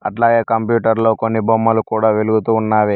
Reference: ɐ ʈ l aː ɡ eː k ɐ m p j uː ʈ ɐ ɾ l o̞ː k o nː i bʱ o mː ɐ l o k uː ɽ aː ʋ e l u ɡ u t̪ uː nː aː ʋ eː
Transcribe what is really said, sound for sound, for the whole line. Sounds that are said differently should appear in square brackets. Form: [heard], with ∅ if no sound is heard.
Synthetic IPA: ɐ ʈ l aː ɡ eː k ɐ m p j uː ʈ ɐ ɾ l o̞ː k o nː i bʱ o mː ɐ l [u] k uː ɽ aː ʋ e l u ɡ u t̪ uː nː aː ʋ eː